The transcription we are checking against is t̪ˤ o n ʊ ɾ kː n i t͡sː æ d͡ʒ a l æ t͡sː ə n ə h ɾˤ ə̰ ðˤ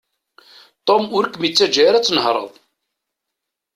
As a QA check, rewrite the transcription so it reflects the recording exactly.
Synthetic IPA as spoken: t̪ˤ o m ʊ ɾ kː m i t͡sː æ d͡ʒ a ɾ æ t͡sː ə n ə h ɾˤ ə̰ ðˤ